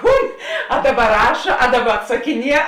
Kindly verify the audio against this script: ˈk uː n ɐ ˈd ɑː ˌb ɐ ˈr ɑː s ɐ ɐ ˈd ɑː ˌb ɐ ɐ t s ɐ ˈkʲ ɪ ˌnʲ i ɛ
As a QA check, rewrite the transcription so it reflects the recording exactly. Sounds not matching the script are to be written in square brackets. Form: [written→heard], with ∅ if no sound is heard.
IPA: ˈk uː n ɐ ˈd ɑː ˌb ɐ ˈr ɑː [s→ʃ] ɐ ɐ ˈd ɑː ˌb ɐ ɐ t s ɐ ˈkʲ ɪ ˌnʲ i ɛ